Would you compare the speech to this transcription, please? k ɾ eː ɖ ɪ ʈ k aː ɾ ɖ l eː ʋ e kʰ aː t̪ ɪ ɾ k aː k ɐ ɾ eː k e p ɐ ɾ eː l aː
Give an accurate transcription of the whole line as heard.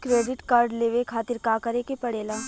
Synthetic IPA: k ɾ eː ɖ ɪ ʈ k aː ɾ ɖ l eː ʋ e kʰ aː t̪ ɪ ɾ k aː k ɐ ɾ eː k e p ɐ ɽ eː l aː

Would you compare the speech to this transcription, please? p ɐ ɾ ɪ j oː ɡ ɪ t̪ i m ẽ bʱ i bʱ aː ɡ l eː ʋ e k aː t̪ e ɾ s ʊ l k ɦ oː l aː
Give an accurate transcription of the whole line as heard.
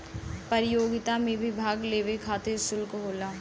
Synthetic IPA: p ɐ ɾ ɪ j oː ɡ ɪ t̪ a m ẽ bʱ i bʱ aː ɡ l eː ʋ e kʰ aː t̪ e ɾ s ʊ l k ɦ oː l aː

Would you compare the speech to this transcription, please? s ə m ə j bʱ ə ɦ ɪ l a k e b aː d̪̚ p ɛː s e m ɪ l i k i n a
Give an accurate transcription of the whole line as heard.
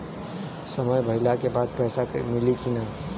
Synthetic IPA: s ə m ə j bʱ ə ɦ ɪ l a k e b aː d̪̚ p ɛː s a m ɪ l i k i n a

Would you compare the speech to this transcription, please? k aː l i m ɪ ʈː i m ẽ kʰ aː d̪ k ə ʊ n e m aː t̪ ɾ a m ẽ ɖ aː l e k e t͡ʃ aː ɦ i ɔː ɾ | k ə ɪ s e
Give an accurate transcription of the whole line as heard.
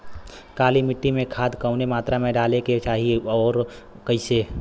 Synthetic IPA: k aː l i m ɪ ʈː i m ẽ kʰ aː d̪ k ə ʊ n e m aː t̪ ɾ a m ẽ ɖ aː l e k e t͡ʃ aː ɦ i ɔː ɾ | k ə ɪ s e

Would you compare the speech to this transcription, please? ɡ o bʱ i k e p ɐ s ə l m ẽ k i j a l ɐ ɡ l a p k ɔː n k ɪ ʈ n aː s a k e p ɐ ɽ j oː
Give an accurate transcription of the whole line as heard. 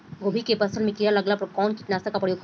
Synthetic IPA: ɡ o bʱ i k e p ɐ s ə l m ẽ k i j a l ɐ ɡ l a p k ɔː n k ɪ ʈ n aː s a k a p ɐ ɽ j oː

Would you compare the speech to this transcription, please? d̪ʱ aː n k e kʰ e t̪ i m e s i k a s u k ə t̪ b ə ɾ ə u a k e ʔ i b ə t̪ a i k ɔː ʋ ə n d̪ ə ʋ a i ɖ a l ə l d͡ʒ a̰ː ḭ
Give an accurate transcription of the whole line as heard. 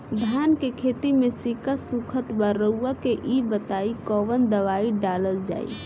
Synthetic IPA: d̪ʱ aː n k e kʰ e t̪ i m e s i k a s u kʰ ə t̪ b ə ɾ ə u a k e ʔ i b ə t̪ a i k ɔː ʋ ə n d̪ ə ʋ a i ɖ a l ə l d͡ʒ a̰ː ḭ

